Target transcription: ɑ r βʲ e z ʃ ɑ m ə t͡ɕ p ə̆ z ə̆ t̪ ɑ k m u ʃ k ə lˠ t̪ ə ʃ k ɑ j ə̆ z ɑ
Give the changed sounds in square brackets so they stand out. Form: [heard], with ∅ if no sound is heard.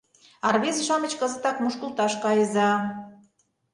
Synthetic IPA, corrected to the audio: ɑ r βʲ e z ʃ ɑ m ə t͡ɕ [k] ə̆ z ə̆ t̪ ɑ k m u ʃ k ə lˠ t̪ [ɑ] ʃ k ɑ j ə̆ z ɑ